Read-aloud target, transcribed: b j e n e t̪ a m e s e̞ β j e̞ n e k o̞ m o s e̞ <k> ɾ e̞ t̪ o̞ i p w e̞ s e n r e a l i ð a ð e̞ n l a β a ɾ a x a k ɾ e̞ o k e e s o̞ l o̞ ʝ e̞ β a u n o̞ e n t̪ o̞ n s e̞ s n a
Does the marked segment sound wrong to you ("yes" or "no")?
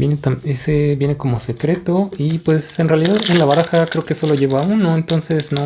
no